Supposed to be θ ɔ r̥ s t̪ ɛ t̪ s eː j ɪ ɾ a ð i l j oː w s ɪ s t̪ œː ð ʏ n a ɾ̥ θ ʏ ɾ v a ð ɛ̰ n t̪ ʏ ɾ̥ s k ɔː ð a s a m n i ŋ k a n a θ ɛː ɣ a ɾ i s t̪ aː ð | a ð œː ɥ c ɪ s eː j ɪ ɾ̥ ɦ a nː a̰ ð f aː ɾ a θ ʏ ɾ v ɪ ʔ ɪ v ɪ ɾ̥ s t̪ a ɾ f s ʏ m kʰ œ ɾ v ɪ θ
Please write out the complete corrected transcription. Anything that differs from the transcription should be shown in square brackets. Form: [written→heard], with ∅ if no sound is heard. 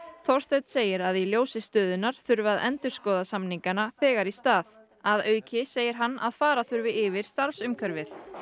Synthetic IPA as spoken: θ ɔ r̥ s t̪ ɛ t̪ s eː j ɪ ɾ a ð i l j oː w s ɪ s t̪ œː ð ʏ n a ɾ̥ θ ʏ ɾ v a ð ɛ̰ n t̪ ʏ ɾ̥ s k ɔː ð a s a m n i ŋ k a n a θ ɛː ɣ a ɾ i s t̪ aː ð | a ð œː ɥ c ɪ s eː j ɪ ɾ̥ ɦ a nː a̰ ð f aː ɾ a θ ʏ ɾ v ɪ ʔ ɪ v ɪ ɾ̥ s t̪ a ɾ f s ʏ m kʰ œ ɾ v ɪ θ

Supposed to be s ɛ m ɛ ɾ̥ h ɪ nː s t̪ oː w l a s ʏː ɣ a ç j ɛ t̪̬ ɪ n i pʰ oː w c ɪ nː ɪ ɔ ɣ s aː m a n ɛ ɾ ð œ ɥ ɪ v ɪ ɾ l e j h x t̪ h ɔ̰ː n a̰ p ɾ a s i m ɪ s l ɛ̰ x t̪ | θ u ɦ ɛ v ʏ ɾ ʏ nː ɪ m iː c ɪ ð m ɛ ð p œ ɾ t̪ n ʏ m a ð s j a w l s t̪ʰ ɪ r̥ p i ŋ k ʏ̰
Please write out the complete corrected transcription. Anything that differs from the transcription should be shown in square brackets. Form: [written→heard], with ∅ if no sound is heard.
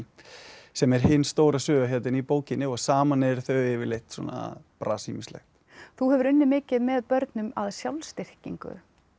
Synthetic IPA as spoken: s ɛ m ɛ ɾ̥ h ɪ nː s t̪ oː w [l→ɾ] a s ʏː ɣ a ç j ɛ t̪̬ ɪ n i [pʰ→p] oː w c ɪ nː ɪ ɔ ɣ s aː m a n ɛ ɾ [ð→θ] œ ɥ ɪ v ɪ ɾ l e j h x t̪ [h→s] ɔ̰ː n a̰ p ɾ a s i m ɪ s l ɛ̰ x t̪ | θ u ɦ ɛ v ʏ ɾ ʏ nː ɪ m [iː→ɪː] c ɪ ð m ɛ ð p œ ɾ t̪ n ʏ m a ð s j a w l s [t̪ʰ→t̪] ɪ r̥ [p→c] i ŋ k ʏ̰

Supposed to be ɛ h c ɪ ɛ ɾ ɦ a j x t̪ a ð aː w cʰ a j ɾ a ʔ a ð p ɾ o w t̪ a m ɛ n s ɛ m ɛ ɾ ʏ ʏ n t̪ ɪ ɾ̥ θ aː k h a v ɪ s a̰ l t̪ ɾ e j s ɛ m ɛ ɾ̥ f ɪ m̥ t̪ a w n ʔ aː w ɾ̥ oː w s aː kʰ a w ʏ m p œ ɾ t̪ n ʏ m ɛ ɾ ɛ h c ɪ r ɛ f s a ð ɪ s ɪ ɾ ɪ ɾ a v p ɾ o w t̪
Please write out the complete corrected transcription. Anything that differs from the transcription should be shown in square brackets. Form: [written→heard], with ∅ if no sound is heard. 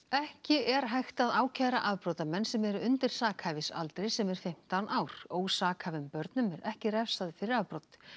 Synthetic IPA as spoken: ɛ h c ɪ ɛ ɾ ɦ a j x t̪ a ð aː w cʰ a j ɾ a ʔ a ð p ɾ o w t̪ a m ɛ n s ɛ m ɛ ɾ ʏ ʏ n t̪ ɪ ɾ̥ [θ→s] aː k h a v ɪ s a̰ l t̪ ɾ e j s ɛ m ɛ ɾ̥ f ɪ m̥ t̪ a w n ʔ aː w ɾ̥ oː w s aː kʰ a [w→v] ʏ m p œ ɾ t̪ n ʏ m ɛ ɾ ɛ h c ɪ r ɛ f s a ð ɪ [s→f] ɪ ɾ ɪ ɾ a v p ɾ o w t̪

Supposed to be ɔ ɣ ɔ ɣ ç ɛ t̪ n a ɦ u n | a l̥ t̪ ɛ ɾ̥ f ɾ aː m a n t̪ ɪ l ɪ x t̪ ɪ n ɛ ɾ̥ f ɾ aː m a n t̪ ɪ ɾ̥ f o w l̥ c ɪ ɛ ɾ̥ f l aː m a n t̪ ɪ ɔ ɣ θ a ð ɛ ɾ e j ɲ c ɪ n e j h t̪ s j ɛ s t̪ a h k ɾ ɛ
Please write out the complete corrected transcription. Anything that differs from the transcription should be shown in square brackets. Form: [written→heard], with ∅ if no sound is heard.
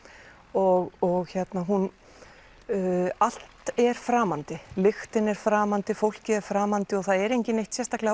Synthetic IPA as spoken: ɔ ɣ ɔ ɣ ç ɛ t̪ n a ɦ u n | a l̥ t̪ ɛ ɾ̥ f ɾ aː m a n t̪ ɪ l ɪ x t̪ ɪ n ɛ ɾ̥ f ɾ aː m a n t̪ ɪ [ɾ̥→∅] f o w l̥ c ɪ ɛ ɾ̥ f [l→ɾ] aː m a n t̪ ɪ ɔ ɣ θ a ð ɛ ɾ e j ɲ c ɪ n e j h t̪ s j ɛ s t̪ a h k [ɾ→l] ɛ

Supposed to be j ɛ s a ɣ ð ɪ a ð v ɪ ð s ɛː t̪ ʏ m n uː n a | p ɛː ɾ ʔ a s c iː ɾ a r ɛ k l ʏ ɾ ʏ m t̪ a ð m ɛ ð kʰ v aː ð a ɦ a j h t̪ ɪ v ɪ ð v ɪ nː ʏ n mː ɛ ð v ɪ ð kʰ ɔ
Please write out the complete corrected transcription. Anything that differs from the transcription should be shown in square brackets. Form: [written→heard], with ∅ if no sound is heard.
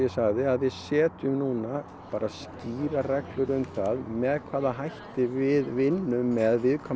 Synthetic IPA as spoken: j ɛ s a ɣ ð ɪ a ð v ɪ ð s ɛː t̪ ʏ m n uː n a | p [ɛː→aː] ɾ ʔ a s c iː ɾ a r ɛ k l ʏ ɾ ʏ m t̪ a ð m ɛ ð kʰ v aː ð a ɦ a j h t̪ ɪ v ɪ ð v ɪ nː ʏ [n→m] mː ɛ ð v ɪ ð kʰ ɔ

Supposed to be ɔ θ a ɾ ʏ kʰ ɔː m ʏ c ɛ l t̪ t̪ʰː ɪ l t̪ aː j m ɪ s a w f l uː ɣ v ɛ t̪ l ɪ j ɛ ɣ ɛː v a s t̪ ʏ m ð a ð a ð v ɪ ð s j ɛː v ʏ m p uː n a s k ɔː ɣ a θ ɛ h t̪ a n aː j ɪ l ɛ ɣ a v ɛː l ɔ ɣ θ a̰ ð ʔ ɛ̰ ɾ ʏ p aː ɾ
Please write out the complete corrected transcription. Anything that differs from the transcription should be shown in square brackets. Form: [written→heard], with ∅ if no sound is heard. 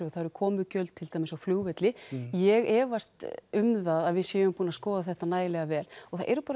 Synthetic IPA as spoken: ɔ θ a ɾ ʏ kʰ ɔː m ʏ c [ɛ→œ] l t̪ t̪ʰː ɪ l t̪ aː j m ɪ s a w f l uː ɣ v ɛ t̪ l ɪ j ɛ ɣ ɛː v a s t̪ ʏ m ð a ð a ð v ɪ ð s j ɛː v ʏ m p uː n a s k ɔː [ɣ→ð] a θ ɛ h t̪ a n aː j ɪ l ɛ ɣ a v ɛː l ɔ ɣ θ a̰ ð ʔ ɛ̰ ɾ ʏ p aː ɾ

